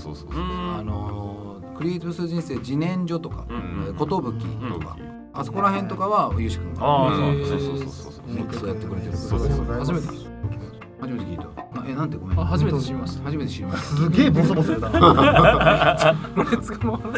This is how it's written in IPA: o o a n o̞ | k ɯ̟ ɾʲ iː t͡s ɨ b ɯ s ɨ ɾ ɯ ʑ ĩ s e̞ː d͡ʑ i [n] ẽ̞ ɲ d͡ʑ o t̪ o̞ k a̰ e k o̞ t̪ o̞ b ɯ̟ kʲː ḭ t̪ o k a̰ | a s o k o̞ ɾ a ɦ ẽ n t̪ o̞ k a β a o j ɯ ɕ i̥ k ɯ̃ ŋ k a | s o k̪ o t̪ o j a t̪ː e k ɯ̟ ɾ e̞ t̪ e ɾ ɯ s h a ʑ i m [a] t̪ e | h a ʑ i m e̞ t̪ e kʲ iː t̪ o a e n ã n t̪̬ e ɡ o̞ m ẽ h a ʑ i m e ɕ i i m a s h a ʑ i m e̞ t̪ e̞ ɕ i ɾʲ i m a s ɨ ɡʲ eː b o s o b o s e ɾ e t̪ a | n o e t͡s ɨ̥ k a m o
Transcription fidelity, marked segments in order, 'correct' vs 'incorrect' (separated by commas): correct, incorrect